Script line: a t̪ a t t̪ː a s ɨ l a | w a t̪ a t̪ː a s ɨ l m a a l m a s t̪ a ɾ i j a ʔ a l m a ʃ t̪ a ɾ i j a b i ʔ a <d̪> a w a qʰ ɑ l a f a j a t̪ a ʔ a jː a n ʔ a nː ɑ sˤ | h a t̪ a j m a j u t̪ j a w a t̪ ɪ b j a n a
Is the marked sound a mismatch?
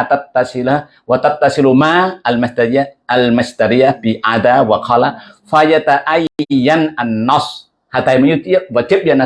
no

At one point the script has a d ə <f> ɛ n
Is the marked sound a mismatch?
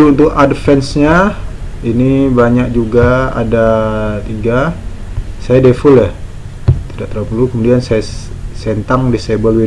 no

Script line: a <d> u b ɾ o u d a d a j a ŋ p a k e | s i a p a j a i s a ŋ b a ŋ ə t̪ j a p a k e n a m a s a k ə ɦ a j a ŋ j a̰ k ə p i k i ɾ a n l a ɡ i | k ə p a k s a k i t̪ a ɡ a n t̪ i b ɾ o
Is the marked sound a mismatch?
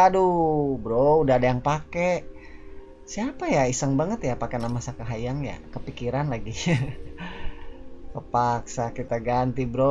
no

